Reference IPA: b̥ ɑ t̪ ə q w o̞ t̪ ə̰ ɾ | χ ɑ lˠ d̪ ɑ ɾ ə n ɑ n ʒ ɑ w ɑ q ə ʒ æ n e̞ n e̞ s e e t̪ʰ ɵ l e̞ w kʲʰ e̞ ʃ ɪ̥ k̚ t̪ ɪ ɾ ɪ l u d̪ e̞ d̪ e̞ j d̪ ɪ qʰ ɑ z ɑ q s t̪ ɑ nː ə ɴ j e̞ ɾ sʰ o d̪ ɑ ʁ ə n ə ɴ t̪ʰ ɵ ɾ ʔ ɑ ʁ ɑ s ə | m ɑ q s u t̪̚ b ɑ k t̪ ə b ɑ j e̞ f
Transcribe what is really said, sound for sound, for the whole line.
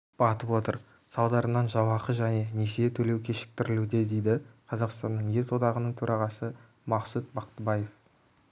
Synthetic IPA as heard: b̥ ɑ t̪ ə p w o̞ t̪ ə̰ ɾ | s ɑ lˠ d̪ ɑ ɾ ə n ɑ n ʒ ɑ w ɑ q ə ʒ æ n e̞ n e̞ s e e t̪ʰ ɵ l e̞ w kʲʰ e̞ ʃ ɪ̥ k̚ t̪ ɪ ɾ ɪ l u d̪ e̞ d̪ e̞ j d̪ ɪ qʰ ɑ z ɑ q s t̪ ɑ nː ə ɴ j e̞ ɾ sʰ o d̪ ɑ ʁ ə n ə ɴ t̪ʰ ɵ ɾ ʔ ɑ ʁ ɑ s ə | m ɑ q s u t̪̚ b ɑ q t̪ ə b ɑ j e̞ f